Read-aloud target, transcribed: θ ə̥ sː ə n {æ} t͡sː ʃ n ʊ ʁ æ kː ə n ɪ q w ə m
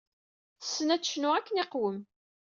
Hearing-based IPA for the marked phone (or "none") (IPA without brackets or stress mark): æ